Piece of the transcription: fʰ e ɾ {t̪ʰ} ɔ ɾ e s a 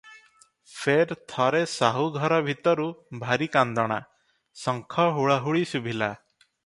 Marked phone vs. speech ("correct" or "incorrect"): correct